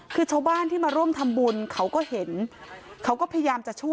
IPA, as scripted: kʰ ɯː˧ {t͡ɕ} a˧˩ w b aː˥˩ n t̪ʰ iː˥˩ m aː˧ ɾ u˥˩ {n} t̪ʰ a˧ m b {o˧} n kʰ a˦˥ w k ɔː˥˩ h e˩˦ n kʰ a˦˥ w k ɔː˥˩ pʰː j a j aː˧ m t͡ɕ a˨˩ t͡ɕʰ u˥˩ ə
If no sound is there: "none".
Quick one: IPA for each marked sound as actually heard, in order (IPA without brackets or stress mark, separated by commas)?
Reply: t͡ɕʰ, m, u˧